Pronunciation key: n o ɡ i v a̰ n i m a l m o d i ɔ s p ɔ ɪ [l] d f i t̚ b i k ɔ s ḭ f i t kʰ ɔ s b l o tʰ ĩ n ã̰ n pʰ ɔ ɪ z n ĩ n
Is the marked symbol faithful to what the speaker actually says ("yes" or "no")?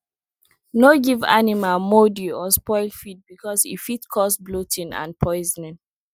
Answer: yes